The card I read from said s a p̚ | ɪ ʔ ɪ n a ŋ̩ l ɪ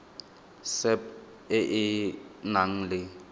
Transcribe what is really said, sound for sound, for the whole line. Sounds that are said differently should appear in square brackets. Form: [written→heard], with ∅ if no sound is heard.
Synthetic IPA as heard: s [a→ɛ] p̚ | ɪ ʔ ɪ n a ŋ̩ l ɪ